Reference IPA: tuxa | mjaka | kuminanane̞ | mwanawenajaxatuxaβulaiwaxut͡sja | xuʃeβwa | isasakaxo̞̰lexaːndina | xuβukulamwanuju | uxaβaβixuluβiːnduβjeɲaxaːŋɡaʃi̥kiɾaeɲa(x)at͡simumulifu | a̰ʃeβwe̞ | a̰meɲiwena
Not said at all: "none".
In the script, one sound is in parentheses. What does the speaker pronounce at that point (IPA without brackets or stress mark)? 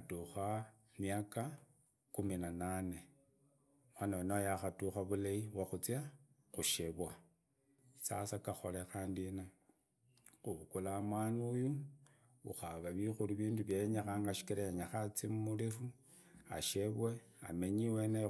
x